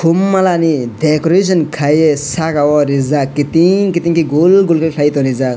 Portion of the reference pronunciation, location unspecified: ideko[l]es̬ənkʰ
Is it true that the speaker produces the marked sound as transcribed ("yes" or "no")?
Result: no